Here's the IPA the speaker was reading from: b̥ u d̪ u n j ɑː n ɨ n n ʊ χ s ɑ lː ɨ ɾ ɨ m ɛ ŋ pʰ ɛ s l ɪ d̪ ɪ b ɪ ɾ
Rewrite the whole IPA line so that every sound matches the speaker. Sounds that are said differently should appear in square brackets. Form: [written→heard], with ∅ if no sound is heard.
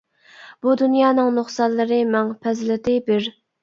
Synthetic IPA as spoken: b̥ u d̪ u n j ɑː n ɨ [n→ŋ] n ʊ χ s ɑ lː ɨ ɾ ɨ m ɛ ŋ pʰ ɛ [s→z] l ɪ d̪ ɪ b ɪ ɾ